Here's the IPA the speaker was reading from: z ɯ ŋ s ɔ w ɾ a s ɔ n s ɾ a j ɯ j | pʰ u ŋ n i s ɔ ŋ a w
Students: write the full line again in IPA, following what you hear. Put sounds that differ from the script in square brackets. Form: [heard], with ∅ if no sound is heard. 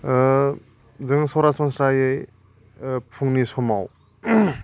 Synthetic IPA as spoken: z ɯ ŋ s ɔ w ɾ a s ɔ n s ɾ a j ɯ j | pʰ u ŋ n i s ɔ [m] a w